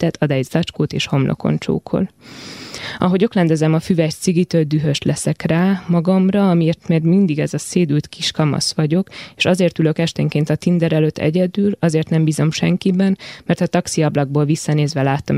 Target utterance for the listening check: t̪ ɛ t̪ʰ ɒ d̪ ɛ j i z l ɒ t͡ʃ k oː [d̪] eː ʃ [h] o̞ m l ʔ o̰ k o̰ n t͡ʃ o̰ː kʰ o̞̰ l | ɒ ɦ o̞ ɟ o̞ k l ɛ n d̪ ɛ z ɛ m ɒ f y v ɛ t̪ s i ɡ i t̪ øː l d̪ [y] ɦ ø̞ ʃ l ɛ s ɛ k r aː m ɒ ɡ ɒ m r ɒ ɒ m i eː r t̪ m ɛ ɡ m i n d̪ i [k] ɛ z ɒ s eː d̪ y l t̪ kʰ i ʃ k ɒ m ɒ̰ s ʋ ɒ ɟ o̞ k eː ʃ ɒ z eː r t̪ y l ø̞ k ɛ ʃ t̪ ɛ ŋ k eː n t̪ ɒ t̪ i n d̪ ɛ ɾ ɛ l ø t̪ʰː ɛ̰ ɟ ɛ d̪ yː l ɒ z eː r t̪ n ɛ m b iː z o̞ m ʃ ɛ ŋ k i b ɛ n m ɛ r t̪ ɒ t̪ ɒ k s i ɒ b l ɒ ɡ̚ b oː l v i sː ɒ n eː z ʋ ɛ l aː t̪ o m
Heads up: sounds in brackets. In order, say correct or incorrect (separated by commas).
incorrect, correct, correct, incorrect